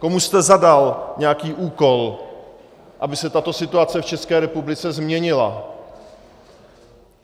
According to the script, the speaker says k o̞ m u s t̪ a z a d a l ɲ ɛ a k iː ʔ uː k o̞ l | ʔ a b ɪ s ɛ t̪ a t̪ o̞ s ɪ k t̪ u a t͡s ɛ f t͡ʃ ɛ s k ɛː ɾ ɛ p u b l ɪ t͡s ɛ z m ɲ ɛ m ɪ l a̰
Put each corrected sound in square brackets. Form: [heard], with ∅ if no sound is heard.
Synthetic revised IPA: k o̞ m u s t̪ [ɛ] z a d a l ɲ ɛ a k iː ʔ uː k o̞ l | ʔ a b ɪ s ɛ t̪ a t̪ o̞ s ɪ [∅] t̪ u a t͡s ɛ f t͡ʃ ɛ s k ɛː ɾ ɛ p u b l ɪ t͡s ɛ z m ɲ ɛ [ɲ] ɪ l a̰

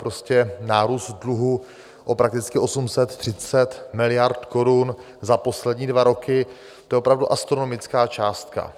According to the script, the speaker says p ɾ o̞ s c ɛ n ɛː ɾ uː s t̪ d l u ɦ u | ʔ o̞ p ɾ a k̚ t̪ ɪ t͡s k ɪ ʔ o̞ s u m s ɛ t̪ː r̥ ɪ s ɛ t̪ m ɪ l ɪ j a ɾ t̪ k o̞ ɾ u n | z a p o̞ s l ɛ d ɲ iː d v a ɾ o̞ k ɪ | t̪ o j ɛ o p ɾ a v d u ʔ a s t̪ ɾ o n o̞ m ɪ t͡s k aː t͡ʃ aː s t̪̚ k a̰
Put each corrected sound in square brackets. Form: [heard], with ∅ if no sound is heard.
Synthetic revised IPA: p ɾ o̞ s c ɛ n [aː] ɾ uː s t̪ d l u ɦ u | ʔ o̞ p ɾ a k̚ t̪ ɪ t͡s k ɪ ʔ o̞ s u m s ɛ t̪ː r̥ ɪ [t͡s] ɛ t̪ m ɪ l ɪ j a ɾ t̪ k o̞ ɾ u n | z a p o̞ s l ɛ d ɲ iː d v a ɾ o̞ k ɪ | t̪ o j ɛ o p ɾ a v d u ʔ a s t̪ ɾ o n o̞ m ɪ t͡s k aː t͡ʃ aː s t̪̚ k a̰

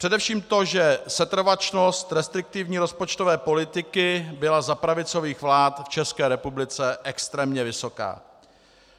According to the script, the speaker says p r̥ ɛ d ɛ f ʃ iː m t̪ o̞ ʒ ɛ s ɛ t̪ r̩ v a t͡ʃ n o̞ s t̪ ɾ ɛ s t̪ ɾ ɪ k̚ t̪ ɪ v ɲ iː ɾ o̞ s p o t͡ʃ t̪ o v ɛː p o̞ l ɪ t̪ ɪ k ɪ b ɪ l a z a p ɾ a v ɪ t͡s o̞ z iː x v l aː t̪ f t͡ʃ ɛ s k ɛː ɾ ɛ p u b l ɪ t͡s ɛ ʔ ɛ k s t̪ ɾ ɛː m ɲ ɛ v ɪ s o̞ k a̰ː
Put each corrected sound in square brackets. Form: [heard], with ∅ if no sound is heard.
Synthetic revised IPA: p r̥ ɛ d ɛ f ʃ iː m t̪ o̞ ʒ ɛ s ɛ t̪ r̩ v a t͡ʃ n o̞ s t̪ ɾ ɛ s t̪ ɾ ɪ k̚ t̪ ɪ v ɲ iː ɾ o̞ s p o t͡ʃ t̪ o v ɛː p o̞ l ɪ t̪ ɪ k ɪ b ɪ l a z a p ɾ a v ɪ t͡s o̞ [v] iː x v l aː t̪ f t͡ʃ ɛ s k ɛː ɾ ɛ p u b l ɪ t͡s ɛ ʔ ɛ k s t̪ ɾ ɛː m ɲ ɛ v ɪ s o̞ k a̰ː

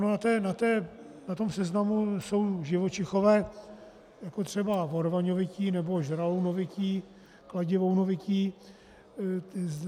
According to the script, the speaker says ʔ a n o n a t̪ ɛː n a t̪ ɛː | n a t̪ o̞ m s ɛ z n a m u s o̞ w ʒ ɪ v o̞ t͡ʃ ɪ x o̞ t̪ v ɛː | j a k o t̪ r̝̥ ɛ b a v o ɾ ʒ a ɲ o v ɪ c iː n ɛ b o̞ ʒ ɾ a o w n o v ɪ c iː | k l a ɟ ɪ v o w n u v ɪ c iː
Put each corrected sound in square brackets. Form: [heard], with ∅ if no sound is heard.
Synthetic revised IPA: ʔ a n o n a t̪ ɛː n a t̪ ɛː | n a t̪ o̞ m s ɛ z n a m u s o̞ w ʒ ɪ v o̞ t͡ʃ ɪ x o̞ [∅] v ɛː | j a k o t̪ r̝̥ ɛ b a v o ɾ [v] a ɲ o v ɪ c iː n ɛ b o̞ ʒ ɾ a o w n o v ɪ c iː | k l a ɟ ɪ v o w n [o] v ɪ c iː

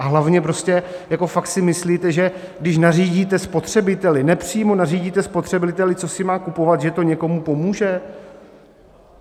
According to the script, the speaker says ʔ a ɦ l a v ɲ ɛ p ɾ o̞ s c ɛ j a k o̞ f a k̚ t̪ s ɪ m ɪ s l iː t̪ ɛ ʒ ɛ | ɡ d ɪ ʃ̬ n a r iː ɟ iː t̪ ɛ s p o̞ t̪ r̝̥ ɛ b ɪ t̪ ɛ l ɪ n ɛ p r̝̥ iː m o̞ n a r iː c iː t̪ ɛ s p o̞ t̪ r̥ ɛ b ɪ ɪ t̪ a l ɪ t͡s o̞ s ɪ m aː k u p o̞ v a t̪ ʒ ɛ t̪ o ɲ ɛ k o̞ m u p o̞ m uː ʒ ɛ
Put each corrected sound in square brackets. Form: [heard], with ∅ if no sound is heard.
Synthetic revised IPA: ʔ a ɦ l a v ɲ ɛ p ɾ o̞ s c ɛ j a k o̞ f a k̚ t̪ s ɪ m ɪ s l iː t̪ ɛ ʒ ɛ | ɡ d ɪ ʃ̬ n a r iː ɟ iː t̪ ɛ s p o̞ t̪ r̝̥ ɛ b ɪ t̪ ɛ l ɪ n ɛ p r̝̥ iː m o̞ n a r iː [ɟ] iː t̪ ɛ s p o̞ t̪ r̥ ɛ b ɪ ɪ t̪ [ɛ] l ɪ t͡s o̞ s ɪ m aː k u p o̞ v a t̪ ʒ ɛ t̪ o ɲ ɛ k o̞ m u p o̞ m uː ʒ ɛ

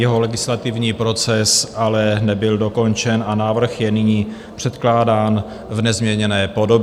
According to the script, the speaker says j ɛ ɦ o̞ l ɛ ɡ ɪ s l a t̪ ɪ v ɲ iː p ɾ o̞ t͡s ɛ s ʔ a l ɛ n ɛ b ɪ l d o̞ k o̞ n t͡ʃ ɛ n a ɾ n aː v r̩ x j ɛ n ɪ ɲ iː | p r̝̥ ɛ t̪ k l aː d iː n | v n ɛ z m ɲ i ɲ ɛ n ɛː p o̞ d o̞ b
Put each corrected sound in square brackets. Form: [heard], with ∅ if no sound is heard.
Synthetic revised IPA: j ɛ ɦ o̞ l ɛ ɡ ɪ s l a t̪ ɪ v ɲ iː p ɾ o̞ t͡s ɛ s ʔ a l ɛ n ɛ b ɪ l d o̞ k o̞ n t͡ʃ ɛ n a [∅] n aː v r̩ x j ɛ n ɪ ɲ iː | p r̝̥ ɛ t̪ k l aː d [aː] n | v n ɛ z m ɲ [ɛ] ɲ ɛ n ɛː p o̞ d o̞ b

